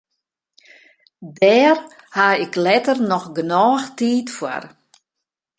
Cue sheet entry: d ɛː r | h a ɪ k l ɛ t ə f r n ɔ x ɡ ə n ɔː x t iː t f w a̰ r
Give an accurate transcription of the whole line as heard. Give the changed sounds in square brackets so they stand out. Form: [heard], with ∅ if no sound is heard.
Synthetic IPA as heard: d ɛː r | h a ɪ k l ɛ t ə [∅] r n ɔ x ɡ ə n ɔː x t iː t f w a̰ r